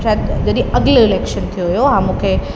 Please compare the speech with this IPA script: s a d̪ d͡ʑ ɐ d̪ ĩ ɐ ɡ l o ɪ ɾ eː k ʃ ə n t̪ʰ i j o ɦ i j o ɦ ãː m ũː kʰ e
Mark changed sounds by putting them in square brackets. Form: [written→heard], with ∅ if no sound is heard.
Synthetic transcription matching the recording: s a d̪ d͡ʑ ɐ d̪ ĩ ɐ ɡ l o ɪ [ɾ→l] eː k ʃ ə n t̪ʰ i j o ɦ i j o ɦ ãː m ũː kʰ e